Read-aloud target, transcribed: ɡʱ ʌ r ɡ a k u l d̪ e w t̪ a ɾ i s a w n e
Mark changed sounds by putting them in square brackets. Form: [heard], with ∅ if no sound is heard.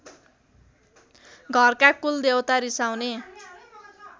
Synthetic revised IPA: ɡʱ ʌ r [k] a k u l d̪ e w t̪ a ɾ i s a w n e

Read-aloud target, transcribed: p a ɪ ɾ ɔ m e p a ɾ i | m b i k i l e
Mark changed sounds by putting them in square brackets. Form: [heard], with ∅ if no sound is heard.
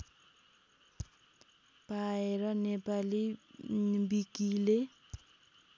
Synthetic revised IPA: p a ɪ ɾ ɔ [n] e p a [l] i | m b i k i l e

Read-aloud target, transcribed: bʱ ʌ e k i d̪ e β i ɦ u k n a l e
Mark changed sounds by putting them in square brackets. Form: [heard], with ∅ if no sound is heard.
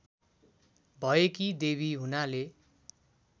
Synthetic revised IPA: bʱ ʌ e k i d̪ e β i ɦ u [∅] n a l e

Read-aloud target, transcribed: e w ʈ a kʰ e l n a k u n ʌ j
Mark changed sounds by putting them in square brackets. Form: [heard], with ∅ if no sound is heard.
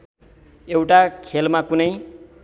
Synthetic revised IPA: e w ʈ a kʰ e l [m] a k u n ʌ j

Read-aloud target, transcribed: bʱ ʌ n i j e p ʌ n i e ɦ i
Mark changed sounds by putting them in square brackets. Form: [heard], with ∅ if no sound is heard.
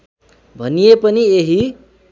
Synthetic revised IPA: bʱ ʌ n i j e p ʌ n i e ɦ i

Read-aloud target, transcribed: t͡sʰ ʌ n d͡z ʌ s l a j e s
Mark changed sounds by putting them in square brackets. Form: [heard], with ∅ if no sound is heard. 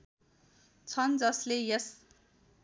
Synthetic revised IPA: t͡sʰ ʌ n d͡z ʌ s l [e] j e s

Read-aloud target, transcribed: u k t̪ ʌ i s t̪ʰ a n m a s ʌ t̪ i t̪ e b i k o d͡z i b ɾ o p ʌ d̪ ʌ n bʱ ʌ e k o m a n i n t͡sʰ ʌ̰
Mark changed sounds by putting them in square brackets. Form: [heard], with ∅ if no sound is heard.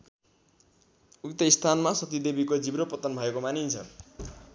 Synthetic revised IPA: u k t̪ ʌ i s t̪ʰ a n m a s ʌ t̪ i [d̪] e b i k o d͡z i b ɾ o p ʌ [t̪] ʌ n bʱ ʌ e k o m a n i n t͡sʰ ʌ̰

